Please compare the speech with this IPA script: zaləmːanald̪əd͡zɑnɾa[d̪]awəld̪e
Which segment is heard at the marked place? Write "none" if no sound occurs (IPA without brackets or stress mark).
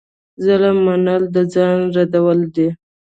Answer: d̪